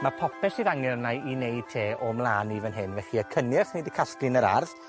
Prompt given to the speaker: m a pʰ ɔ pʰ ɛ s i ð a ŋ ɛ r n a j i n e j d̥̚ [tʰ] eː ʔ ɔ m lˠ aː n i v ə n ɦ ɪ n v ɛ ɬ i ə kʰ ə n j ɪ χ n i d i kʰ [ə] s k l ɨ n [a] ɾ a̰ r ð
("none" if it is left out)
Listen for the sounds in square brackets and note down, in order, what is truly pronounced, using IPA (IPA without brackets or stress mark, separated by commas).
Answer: tʰ, a, ə